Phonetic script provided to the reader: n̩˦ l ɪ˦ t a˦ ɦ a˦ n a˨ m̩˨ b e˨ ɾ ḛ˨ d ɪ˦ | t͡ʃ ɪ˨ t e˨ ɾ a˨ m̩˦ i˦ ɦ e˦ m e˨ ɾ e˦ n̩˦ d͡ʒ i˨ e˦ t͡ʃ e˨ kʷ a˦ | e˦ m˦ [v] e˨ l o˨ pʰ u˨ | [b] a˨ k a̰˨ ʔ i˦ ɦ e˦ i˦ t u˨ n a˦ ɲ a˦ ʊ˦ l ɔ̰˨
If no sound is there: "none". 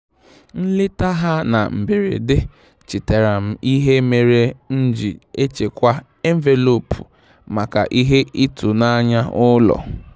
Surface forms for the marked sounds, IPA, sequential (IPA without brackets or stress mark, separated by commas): v, m